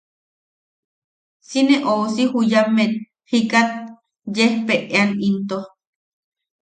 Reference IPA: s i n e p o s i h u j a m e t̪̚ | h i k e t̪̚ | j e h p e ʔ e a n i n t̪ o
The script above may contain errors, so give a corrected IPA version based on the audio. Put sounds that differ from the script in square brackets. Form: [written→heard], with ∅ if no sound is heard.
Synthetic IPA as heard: s i n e [p→ʔ] o s i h u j a m e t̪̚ | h i k [e→a] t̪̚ | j e h p e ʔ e a n i n t̪ o

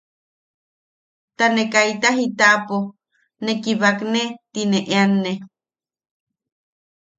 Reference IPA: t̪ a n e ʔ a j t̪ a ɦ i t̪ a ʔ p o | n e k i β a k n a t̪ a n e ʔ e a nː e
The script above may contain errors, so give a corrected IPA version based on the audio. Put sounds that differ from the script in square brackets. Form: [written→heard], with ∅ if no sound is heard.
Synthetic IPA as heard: t̪ a n e [ʔ→k] a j t̪ a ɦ i t̪ a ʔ p o | n e k i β a k n [a→e] t̪ [a→i] n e ʔ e a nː e

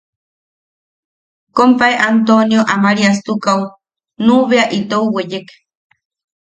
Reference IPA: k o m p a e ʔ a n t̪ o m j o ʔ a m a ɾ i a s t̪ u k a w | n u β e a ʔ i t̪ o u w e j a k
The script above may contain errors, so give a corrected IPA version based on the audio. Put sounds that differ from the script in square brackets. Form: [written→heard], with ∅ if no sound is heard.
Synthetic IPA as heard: k o m p a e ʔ a n t̪ o [m→n] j o ʔ a m a ɾ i a s t̪ u k a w | n u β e a ʔ i t̪ o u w e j [a→e] k

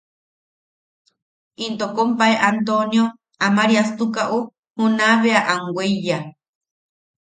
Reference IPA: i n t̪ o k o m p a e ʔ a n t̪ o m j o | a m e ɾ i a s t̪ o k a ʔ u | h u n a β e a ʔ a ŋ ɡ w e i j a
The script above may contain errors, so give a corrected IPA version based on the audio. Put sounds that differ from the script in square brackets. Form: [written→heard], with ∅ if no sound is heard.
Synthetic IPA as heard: i n t̪ o k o m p a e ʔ a n t̪ o [m→n] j o | a m [e→a] ɾ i a s t̪ [o→u] k a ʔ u | h u n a β e a ʔ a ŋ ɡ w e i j a

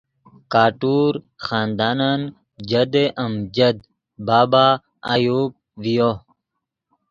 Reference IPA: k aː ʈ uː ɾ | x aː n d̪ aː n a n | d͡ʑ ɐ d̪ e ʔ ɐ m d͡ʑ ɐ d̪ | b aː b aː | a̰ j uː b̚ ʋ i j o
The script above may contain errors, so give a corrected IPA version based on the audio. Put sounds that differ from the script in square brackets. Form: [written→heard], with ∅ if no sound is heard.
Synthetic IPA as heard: k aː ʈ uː ɾ | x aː n d̪ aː n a n | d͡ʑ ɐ d̪ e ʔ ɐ m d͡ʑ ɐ d̪ | b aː b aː | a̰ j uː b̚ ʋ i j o

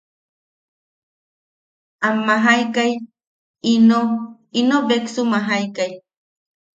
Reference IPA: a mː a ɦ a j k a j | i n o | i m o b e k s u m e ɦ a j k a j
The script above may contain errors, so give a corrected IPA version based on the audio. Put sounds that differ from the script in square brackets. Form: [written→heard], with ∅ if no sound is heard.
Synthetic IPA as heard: a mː a ɦ a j k a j | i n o | i [m→n] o b e k s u m [e→a] ɦ a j k a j

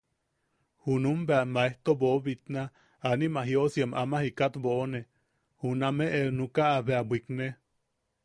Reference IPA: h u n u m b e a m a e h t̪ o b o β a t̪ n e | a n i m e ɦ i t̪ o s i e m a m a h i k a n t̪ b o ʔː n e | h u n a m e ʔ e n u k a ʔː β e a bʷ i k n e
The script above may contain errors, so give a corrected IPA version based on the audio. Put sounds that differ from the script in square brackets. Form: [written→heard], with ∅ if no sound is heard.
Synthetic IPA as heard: h u n u m b e a m a e h t̪ o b o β [a→i] t̪ n [e→a] | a n i m [e→a] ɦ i [t̪→∅] o s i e m a m a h i k a [n→∅] t̪ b o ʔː n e | h u n a m e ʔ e n u k a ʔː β e a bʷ i k n e

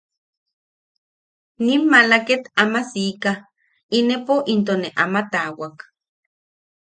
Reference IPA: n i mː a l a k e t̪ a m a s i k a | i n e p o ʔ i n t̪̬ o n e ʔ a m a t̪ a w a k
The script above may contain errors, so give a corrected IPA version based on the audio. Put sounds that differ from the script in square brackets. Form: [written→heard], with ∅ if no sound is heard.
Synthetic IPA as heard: n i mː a l a k e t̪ a m a s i k a | i n e p o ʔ i n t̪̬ o n e ʔ a m a t̪ a w a k

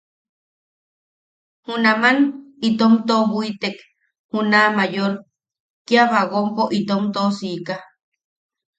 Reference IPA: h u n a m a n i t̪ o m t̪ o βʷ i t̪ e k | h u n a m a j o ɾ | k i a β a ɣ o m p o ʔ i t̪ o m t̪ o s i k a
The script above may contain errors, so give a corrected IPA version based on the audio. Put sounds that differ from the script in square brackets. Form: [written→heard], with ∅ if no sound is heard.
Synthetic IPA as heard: h u n a m a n i t̪ o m t̪ o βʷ i t̪ e k | h u n a m a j o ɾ | k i a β a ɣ o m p o ʔ i t̪ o m t̪ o s i k a

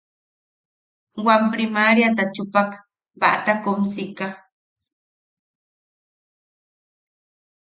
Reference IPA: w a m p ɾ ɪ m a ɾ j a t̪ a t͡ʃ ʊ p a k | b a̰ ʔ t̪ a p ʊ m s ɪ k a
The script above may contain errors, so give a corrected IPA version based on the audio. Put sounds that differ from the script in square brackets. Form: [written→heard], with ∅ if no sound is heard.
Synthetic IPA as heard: w a m p ɾ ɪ m a ɾ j a t̪ a t͡ʃ ʊ p a k | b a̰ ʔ t̪ a [p→k] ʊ m s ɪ k a

